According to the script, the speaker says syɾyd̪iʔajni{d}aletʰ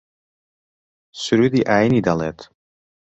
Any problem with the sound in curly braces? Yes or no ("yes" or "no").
no